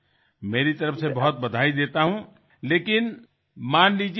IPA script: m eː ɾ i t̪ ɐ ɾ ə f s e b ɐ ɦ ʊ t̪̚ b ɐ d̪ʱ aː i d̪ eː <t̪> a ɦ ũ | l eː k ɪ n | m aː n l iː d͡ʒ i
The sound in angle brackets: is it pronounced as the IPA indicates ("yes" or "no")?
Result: yes